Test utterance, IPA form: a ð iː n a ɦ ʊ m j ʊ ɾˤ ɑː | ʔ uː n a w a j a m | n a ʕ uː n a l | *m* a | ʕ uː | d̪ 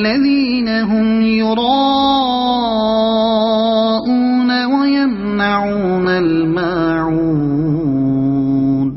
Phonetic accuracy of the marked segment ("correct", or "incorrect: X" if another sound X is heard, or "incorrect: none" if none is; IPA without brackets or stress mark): correct